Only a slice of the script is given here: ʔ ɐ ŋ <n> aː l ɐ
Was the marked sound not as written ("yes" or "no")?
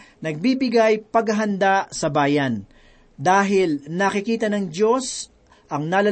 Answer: no